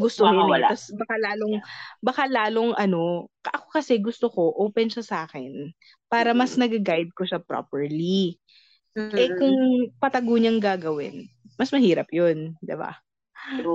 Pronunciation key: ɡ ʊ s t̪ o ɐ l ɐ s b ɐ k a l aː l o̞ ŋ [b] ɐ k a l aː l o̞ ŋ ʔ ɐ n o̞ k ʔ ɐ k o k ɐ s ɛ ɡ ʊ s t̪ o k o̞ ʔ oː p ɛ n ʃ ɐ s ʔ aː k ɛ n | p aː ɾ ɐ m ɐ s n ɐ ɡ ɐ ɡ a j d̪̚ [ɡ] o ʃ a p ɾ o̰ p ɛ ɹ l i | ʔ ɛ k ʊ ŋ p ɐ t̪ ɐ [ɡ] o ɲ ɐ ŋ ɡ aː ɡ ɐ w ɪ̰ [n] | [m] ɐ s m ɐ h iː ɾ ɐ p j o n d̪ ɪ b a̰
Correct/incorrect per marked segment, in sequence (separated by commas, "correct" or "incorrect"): correct, incorrect, correct, correct, correct